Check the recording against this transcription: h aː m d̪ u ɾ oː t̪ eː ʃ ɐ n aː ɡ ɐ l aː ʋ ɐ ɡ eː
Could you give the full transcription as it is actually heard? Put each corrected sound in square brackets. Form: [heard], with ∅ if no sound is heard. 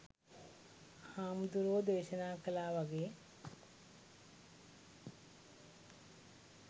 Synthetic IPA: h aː m d̪ u ɾ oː [d̪] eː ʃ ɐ n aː [k] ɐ l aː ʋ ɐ ɡ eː